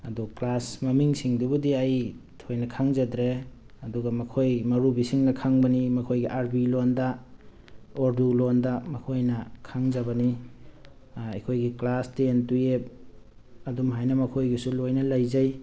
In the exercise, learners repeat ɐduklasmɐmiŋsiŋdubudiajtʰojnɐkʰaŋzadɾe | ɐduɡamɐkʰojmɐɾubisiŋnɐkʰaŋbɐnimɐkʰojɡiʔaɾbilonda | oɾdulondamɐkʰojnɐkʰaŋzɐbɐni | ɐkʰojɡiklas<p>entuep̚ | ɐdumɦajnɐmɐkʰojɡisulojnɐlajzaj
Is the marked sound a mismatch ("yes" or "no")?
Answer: yes